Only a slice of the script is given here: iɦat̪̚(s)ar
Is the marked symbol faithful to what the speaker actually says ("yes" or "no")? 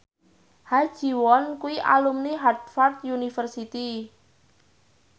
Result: no